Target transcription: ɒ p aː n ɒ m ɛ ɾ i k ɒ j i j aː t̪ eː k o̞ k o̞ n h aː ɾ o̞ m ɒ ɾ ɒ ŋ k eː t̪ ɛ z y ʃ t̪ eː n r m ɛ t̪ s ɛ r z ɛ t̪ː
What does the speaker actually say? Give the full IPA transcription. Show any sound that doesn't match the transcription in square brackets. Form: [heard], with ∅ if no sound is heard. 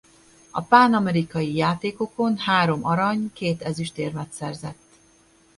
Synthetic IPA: ɒ p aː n ɒ m ɛ ɾ i k ɒ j i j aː t̪ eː k o̞ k o̞ n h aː ɾ o̞ m ɒ ɾ ɒ [ɲ] k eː t̪ ɛ z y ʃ t̪ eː [∅] r m ɛ t̪ s ɛ r z ɛ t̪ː